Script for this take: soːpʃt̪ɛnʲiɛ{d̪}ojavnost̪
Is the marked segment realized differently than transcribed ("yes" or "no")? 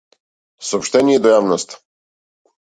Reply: no